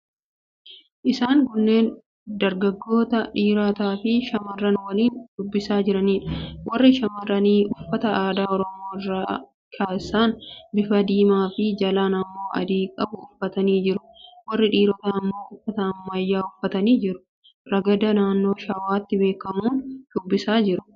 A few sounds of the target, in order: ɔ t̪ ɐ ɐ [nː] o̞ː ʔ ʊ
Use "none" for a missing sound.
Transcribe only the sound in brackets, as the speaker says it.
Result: mː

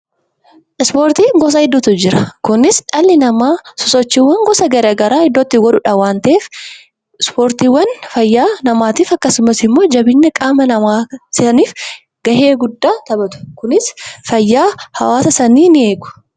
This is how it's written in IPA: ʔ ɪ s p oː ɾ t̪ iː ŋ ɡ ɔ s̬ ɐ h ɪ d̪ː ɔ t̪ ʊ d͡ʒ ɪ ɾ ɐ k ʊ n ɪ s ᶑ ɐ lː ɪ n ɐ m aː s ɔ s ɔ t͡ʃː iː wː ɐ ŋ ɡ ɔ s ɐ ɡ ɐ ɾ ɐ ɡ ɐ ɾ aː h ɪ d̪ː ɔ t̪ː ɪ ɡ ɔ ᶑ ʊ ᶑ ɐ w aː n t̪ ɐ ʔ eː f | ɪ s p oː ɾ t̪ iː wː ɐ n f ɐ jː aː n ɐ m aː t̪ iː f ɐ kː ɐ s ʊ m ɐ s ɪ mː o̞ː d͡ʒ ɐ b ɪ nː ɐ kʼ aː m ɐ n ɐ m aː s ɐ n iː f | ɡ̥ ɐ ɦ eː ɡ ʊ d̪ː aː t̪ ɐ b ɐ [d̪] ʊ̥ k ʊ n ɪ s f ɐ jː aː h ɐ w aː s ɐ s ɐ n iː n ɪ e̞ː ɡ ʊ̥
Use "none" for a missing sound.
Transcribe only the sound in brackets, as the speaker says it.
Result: t̪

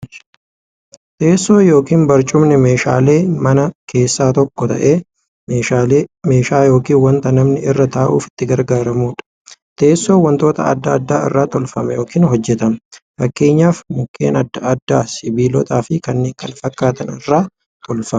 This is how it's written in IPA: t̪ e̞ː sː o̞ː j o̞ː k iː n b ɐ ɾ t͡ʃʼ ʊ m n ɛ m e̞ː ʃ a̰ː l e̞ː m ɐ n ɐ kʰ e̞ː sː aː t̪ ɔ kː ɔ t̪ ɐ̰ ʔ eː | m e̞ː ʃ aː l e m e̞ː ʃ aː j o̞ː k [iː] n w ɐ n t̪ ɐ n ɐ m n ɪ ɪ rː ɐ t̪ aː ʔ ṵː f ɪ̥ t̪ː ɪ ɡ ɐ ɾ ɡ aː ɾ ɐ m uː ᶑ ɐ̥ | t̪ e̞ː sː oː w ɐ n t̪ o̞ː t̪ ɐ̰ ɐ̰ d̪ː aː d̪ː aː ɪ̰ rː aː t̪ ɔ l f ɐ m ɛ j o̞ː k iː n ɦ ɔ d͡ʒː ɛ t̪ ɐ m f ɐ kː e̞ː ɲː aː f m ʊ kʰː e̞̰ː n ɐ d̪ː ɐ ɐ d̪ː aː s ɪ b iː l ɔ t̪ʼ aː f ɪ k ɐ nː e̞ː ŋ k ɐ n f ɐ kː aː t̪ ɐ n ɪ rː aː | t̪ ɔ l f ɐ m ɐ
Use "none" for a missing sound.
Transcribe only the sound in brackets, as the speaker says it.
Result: iː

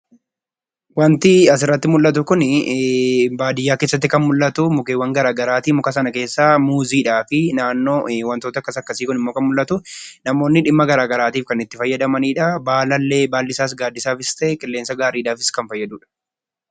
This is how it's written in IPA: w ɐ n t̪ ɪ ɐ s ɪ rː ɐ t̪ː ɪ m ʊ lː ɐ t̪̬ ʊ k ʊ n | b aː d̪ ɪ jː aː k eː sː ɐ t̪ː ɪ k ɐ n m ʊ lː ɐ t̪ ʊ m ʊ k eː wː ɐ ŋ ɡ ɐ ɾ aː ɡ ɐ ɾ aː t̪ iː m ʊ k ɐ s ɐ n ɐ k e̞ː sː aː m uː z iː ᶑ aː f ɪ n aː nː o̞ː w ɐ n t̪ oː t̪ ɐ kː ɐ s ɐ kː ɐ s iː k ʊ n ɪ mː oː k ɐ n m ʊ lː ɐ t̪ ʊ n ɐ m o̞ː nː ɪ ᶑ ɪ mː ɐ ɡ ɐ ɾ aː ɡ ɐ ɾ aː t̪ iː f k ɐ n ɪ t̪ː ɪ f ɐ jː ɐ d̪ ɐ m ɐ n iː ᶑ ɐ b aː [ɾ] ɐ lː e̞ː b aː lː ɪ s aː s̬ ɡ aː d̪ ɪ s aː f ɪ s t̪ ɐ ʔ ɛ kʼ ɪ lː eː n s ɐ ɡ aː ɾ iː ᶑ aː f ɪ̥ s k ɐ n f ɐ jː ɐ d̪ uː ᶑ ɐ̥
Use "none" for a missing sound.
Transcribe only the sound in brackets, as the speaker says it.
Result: l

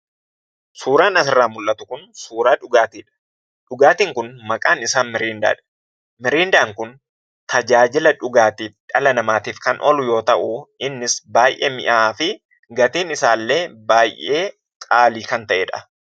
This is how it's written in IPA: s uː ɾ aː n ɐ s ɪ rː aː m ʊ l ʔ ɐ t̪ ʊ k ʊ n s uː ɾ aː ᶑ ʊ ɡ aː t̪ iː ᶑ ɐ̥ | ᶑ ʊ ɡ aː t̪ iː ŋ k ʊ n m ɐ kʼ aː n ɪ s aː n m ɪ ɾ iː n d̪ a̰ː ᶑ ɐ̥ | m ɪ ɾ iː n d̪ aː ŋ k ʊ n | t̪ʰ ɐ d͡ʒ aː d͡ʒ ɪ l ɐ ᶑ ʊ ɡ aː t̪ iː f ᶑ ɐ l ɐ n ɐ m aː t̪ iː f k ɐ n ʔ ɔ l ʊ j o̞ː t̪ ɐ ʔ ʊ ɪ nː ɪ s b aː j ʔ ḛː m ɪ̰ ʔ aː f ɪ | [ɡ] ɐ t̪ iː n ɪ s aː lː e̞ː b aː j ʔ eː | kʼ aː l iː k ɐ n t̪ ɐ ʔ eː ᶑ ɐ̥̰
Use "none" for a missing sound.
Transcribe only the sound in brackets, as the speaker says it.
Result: ɡ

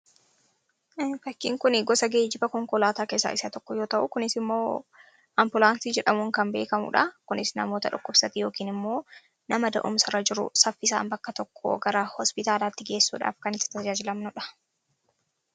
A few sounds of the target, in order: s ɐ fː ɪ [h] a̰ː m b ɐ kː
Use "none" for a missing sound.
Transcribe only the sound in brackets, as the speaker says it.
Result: s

